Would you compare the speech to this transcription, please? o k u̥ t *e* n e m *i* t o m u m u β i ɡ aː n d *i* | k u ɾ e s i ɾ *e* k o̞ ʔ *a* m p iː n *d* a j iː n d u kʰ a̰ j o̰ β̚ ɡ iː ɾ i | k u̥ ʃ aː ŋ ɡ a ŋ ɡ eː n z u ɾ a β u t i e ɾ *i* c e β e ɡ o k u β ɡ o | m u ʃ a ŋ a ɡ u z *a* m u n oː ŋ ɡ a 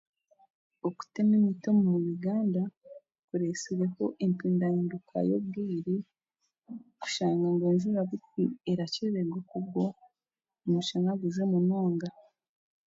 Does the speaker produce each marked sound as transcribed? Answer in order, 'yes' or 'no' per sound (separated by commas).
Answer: yes, yes, no, yes, no, yes, no, no